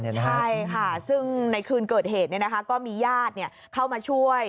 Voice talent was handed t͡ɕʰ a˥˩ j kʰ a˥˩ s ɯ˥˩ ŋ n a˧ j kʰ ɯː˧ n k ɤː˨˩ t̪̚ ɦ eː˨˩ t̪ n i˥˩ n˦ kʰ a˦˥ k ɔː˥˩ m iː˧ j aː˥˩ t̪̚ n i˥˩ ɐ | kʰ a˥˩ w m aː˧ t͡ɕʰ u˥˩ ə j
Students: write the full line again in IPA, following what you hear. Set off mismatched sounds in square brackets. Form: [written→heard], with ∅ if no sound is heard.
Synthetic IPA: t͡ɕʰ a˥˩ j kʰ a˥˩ s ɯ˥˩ ŋ n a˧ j kʰ ɯː˧ n k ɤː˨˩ t̪̚ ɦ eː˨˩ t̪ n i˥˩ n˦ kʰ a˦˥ k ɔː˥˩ m iː˧ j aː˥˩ t̪̚ n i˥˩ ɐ | kʰ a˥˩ w m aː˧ t͡ɕʰ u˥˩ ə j